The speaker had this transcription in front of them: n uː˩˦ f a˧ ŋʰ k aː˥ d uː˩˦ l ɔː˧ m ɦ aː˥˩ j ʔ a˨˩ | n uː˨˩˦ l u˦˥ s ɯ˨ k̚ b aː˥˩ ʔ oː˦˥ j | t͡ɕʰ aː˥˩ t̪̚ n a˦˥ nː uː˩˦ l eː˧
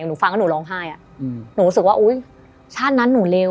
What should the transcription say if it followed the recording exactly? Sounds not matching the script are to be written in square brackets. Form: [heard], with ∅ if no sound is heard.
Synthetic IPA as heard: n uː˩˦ f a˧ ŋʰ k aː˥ [n] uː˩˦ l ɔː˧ [ŋ] ɦ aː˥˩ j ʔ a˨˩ | n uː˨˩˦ [ɾ] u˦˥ s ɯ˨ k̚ [w] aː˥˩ ʔ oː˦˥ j | t͡ɕʰ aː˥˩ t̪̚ n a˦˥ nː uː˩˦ l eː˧